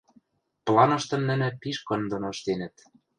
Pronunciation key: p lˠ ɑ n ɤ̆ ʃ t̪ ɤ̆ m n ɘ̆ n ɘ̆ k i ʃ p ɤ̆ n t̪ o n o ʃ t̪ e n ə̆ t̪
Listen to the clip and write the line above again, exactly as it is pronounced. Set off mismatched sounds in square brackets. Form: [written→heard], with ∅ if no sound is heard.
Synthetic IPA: p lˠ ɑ n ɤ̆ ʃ t̪ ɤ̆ m n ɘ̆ n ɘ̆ [k→p] i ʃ [p→k] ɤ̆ n [t̪→d̪] o n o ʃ t̪ e n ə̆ t̪